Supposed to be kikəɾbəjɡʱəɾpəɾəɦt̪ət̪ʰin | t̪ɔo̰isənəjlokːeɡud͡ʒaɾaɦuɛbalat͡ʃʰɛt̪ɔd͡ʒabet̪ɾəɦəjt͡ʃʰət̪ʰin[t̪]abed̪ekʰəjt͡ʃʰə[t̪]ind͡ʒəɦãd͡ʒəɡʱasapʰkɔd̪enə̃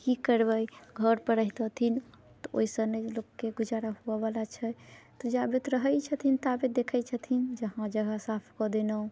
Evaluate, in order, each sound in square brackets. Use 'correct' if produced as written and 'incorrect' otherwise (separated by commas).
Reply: correct, incorrect